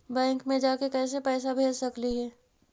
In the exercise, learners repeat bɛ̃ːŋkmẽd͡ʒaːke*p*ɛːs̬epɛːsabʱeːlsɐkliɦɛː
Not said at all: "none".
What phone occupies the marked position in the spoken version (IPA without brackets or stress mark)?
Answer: k